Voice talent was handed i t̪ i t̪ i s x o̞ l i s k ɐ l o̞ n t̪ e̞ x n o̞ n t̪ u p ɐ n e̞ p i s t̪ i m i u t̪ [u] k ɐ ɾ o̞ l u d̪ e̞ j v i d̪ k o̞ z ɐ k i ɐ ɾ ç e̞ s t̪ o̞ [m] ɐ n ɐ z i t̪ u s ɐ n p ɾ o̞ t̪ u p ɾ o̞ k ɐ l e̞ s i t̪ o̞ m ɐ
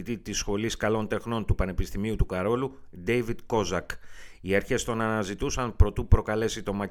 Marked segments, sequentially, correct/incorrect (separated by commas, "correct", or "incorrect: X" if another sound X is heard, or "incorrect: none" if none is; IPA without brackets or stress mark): correct, incorrect: n